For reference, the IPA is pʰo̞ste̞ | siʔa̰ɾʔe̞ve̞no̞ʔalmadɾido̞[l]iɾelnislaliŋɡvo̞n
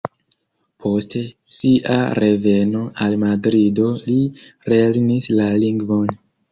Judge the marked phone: correct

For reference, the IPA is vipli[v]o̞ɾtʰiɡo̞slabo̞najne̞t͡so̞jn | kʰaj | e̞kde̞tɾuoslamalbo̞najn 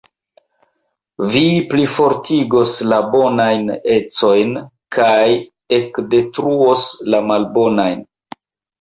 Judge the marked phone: incorrect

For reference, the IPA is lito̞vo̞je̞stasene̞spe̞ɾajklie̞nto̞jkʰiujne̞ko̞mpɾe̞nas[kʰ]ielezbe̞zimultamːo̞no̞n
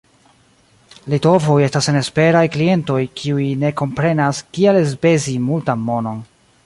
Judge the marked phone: incorrect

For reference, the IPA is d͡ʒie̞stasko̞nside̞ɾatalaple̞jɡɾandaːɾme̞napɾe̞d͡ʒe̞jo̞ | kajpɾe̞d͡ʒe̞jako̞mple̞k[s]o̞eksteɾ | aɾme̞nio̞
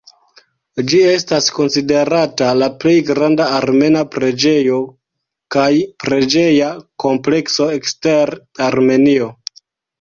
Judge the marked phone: correct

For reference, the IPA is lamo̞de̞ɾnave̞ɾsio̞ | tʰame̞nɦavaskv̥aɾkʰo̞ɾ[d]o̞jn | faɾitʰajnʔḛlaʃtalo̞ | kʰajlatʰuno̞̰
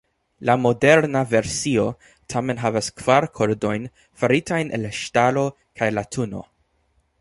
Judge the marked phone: correct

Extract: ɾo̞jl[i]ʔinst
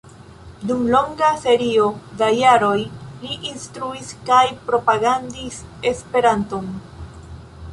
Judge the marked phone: correct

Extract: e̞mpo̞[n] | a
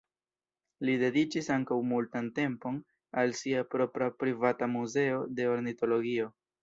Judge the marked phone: correct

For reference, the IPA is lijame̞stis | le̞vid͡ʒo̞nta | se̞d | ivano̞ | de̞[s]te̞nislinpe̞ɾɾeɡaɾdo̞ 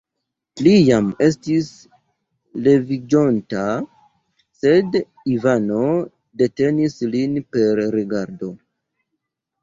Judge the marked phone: incorrect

